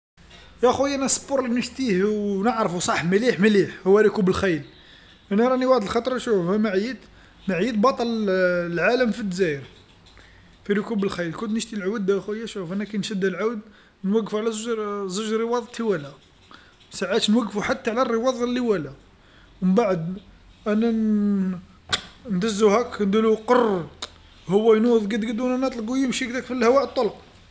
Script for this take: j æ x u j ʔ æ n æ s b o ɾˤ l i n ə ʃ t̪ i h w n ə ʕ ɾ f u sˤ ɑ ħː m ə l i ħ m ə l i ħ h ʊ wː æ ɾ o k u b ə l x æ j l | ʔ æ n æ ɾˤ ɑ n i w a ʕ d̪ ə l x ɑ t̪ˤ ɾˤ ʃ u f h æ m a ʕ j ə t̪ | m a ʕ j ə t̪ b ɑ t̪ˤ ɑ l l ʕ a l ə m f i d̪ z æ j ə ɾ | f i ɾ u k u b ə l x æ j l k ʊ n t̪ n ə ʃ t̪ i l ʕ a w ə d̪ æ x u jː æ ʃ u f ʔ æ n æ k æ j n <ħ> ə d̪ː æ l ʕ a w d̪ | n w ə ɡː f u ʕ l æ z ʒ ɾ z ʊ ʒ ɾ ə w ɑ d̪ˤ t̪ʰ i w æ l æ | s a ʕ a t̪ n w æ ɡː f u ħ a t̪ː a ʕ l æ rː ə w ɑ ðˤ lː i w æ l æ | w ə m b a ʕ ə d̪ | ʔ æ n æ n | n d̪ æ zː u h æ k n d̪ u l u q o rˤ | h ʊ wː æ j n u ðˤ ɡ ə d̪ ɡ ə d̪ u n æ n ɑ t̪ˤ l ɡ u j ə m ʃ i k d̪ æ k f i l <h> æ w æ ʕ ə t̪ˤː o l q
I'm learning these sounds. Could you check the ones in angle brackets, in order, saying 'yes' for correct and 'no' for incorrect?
no, yes

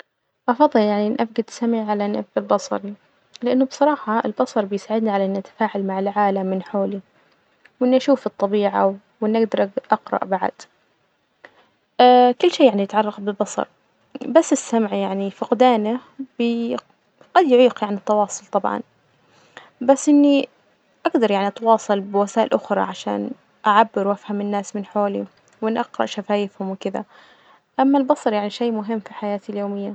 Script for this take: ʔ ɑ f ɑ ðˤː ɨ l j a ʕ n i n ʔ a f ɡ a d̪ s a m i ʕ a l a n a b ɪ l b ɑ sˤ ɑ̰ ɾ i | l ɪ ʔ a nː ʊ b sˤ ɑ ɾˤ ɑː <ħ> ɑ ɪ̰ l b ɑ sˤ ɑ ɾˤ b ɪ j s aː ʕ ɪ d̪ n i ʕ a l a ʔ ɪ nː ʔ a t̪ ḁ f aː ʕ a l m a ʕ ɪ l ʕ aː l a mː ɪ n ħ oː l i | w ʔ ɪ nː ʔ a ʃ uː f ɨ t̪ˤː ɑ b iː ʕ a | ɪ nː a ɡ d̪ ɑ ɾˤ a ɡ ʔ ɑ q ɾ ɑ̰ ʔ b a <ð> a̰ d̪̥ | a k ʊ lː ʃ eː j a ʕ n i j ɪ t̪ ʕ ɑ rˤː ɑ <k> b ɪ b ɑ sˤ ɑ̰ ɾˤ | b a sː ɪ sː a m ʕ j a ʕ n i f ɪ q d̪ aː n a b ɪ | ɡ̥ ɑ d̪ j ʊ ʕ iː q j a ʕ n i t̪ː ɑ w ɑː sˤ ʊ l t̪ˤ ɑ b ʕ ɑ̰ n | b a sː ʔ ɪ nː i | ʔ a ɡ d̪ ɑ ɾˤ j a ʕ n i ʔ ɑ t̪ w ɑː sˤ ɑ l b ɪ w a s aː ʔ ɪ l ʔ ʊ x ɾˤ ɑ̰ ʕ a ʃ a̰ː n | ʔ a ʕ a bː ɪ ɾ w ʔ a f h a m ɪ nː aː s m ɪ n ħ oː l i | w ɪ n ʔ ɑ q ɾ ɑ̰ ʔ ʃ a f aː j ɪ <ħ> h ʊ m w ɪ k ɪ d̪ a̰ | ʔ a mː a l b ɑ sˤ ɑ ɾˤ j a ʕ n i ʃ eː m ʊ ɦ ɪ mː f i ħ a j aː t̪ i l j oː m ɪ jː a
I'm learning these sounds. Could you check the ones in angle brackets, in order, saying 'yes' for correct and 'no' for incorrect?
yes, no, no, no

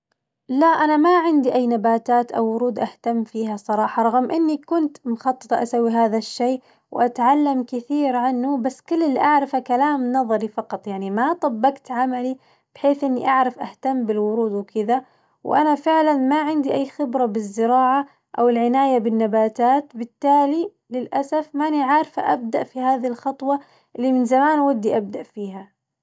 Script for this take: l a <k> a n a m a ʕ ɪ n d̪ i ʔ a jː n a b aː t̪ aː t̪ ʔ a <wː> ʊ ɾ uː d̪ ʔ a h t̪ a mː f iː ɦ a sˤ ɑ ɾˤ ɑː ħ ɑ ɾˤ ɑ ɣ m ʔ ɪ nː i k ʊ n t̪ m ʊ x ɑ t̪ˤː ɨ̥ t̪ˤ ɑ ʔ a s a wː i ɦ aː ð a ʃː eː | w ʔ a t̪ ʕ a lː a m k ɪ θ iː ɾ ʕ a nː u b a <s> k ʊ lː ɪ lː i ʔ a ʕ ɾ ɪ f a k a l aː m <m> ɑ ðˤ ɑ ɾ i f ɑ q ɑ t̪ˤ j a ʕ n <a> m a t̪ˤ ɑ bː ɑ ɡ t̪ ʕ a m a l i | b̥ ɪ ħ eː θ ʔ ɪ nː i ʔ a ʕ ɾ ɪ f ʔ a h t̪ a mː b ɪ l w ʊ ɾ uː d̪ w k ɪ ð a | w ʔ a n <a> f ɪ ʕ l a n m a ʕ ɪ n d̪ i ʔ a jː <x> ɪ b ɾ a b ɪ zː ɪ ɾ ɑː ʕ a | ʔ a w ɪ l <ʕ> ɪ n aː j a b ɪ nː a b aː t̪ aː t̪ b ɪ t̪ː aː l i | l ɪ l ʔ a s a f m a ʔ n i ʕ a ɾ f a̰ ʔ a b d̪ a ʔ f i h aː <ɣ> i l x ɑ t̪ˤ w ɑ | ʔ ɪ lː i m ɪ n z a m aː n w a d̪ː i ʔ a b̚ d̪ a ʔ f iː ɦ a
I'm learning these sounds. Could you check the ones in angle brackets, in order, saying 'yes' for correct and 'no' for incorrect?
no, yes, no, no, no, yes, yes, yes, no

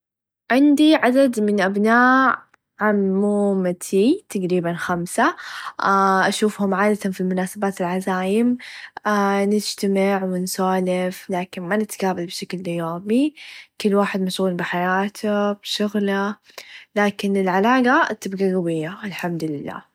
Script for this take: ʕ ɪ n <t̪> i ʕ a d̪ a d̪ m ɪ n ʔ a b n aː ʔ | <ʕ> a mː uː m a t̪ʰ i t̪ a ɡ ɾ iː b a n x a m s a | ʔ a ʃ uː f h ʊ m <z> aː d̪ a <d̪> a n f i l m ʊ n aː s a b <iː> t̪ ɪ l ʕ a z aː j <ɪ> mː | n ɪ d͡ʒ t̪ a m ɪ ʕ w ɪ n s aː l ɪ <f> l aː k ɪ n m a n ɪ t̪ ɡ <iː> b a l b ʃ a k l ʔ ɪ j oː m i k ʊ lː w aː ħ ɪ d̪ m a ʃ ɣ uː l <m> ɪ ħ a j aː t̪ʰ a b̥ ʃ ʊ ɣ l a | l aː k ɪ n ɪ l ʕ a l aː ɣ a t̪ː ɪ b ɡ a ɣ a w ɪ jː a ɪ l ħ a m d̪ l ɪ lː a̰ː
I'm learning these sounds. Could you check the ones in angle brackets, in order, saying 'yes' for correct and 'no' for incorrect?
no, yes, no, no, no, yes, yes, no, no

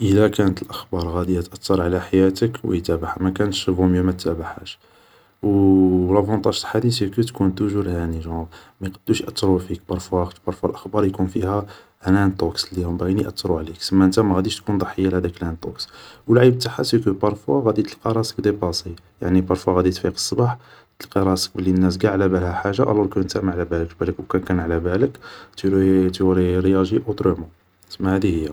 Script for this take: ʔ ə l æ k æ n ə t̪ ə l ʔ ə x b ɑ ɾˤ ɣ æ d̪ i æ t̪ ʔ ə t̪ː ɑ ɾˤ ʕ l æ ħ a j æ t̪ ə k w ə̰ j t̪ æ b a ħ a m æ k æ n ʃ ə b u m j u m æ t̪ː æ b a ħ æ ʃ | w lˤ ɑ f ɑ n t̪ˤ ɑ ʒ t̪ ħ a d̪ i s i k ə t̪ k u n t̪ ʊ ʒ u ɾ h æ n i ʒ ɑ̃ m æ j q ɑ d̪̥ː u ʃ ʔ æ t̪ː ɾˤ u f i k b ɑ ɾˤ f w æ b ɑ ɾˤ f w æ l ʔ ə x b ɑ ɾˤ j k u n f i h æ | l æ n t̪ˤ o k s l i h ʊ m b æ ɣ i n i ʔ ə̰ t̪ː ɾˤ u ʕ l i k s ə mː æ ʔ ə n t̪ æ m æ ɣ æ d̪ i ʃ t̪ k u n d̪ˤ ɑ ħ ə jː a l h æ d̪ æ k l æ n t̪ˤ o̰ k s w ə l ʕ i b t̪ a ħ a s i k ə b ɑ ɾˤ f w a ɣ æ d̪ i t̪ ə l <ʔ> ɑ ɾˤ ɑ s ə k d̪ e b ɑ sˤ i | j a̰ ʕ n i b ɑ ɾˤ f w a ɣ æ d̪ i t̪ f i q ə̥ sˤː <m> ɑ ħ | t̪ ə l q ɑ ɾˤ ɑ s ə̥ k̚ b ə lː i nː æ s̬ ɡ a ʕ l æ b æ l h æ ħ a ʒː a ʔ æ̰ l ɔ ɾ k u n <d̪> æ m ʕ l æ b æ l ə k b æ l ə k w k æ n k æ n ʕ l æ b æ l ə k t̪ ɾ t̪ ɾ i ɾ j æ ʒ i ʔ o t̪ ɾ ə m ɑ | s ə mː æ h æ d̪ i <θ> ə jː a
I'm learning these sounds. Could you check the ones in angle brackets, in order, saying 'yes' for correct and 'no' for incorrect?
no, no, no, no

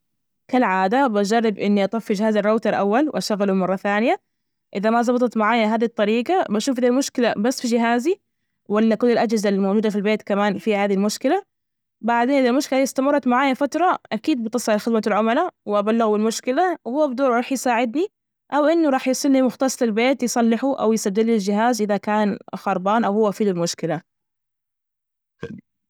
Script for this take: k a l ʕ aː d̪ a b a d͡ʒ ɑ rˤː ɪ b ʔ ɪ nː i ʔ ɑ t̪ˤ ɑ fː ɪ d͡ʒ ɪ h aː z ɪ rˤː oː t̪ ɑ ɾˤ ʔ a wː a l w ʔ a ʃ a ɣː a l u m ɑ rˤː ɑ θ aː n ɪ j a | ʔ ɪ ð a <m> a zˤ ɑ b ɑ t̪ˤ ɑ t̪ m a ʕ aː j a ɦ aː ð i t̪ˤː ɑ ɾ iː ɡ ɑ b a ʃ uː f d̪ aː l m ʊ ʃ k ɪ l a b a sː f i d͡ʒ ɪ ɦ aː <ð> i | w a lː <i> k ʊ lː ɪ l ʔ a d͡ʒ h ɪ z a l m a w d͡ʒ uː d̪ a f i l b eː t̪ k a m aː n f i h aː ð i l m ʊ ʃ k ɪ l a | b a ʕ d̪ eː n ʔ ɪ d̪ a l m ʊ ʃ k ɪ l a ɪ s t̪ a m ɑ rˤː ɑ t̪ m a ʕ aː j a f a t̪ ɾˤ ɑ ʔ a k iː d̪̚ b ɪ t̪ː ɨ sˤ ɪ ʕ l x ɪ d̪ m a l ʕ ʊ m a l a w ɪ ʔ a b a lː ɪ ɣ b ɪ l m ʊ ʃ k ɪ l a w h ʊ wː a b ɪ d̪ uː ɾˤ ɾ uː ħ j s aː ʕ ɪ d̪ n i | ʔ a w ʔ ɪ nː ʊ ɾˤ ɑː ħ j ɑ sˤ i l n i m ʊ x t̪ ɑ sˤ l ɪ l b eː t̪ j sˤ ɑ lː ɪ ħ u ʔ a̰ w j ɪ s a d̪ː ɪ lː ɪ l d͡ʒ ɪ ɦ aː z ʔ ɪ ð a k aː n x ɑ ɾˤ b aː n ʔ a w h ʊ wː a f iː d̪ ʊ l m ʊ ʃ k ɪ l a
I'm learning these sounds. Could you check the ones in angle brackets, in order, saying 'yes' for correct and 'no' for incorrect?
yes, no, no

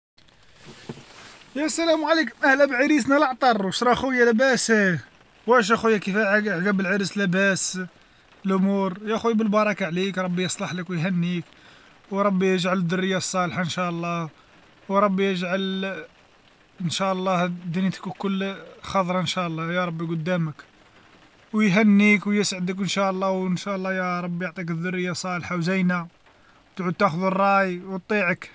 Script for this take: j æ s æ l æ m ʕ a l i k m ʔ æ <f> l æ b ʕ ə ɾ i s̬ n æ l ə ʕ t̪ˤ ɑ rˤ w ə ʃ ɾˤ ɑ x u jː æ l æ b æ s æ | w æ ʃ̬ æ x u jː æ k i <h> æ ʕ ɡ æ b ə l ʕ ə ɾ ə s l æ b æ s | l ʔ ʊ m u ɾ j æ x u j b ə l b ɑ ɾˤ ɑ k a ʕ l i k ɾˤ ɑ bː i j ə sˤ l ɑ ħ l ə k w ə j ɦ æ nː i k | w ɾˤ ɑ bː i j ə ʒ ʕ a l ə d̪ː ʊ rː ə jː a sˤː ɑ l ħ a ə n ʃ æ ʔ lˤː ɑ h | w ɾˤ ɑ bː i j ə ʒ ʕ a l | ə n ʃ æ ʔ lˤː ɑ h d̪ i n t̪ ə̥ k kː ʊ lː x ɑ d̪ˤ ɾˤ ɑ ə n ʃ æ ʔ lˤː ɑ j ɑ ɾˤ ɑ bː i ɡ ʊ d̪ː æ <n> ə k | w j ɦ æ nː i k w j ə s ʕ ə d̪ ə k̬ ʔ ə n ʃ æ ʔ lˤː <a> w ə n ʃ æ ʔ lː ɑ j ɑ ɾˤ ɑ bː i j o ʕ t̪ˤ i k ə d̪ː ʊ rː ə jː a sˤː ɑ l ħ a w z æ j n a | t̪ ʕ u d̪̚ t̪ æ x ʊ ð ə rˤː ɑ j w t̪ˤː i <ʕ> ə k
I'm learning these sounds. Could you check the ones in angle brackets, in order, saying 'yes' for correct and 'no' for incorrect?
no, no, no, no, yes

